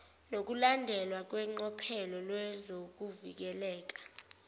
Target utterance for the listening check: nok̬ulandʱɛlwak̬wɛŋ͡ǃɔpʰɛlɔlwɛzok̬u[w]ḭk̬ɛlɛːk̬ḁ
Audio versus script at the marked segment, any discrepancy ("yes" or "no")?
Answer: yes